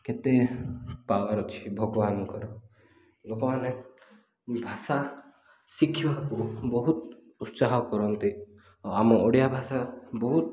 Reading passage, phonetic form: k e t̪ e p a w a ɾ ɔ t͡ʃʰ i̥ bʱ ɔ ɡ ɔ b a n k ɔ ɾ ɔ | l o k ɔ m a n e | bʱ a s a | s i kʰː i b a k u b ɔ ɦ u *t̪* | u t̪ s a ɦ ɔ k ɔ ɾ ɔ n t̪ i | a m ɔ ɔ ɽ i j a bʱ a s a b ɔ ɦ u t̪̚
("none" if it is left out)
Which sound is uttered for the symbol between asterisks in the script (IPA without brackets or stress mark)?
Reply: t̪